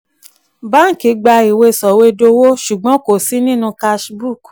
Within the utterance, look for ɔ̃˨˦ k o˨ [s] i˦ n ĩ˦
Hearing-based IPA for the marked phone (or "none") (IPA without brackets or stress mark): s